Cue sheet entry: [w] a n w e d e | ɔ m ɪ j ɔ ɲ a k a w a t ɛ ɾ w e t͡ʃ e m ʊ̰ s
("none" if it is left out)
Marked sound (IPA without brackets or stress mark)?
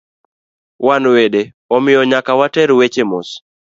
w